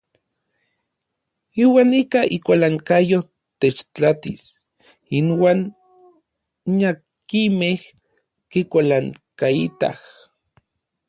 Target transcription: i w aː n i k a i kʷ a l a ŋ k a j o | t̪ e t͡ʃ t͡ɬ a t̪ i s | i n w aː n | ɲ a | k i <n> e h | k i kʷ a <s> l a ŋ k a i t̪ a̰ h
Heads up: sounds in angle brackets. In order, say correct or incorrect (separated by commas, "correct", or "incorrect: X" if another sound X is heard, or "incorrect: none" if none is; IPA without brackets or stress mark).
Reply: incorrect: m, incorrect: none